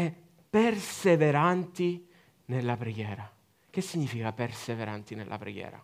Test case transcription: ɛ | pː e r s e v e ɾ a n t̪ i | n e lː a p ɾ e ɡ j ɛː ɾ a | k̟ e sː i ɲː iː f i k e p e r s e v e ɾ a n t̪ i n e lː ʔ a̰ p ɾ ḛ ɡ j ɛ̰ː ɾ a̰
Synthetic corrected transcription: ɛ | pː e r s e v e ɾ a n t̪ i | n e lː a p ɾ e ɡ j ɛː ɾ a | k̟ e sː i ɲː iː f i k a p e r s e v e ɾ a n t̪ i n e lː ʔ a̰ p ɾ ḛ ɡ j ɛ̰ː ɾ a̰